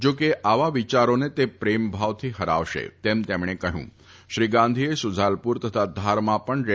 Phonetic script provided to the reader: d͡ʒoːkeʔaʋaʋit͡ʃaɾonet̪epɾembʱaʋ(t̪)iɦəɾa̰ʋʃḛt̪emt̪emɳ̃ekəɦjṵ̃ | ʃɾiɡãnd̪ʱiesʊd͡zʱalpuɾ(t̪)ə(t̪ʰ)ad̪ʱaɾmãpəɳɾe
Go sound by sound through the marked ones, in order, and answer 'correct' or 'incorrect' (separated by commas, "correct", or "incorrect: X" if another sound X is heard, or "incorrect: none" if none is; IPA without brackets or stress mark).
incorrect: t̪ʰ, correct, correct